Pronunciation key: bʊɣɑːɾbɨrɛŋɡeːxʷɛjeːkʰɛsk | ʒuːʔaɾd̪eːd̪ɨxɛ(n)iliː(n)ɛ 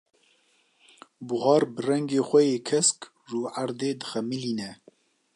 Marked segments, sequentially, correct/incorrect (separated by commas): incorrect, correct